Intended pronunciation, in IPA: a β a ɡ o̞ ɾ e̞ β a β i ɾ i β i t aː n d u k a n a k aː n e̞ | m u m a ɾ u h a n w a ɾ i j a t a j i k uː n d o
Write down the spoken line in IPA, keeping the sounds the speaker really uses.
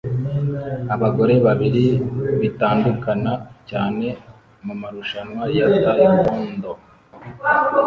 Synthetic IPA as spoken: a β a ɡ o̞ ɾ e̞ β a β i ɾ i β i t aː n d u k a n a c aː n e̞ | m u m a ɾ u ʃ a n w a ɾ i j a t a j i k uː n d o